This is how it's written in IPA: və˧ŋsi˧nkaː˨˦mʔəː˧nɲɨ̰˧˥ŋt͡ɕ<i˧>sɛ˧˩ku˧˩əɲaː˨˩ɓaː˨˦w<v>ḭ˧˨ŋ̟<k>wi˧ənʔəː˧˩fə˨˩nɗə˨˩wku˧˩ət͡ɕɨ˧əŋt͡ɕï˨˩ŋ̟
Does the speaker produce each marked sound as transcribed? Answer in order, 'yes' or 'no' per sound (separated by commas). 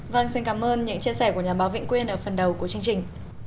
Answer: yes, yes, yes